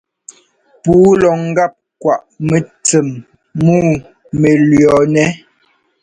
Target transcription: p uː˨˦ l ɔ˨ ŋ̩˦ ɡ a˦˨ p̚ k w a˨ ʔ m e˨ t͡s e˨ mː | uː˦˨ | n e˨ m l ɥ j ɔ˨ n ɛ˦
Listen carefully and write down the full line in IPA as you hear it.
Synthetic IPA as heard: p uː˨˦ l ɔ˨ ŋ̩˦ ɡ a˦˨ p̚ k w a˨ ʔ m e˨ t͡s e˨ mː | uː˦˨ | m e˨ l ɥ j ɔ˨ n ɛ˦